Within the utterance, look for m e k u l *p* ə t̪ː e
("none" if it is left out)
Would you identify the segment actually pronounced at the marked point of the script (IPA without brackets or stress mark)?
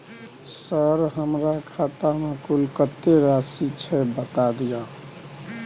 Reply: k